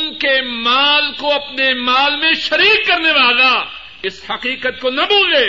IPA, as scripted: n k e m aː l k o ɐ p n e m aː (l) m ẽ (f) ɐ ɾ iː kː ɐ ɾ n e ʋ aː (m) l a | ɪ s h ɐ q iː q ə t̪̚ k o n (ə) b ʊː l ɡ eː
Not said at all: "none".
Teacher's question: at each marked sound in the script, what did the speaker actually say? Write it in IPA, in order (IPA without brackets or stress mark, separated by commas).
l, ʃ, none, ɐ